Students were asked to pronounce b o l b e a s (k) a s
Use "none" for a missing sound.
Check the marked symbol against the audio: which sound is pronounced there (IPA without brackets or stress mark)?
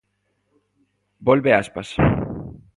p